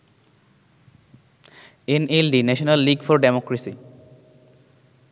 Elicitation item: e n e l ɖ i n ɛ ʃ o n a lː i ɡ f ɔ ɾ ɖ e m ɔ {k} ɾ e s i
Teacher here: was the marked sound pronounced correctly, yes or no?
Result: yes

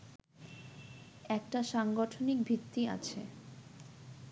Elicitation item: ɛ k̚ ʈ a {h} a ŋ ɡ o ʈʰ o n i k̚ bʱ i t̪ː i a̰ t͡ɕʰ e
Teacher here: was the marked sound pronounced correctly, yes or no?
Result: no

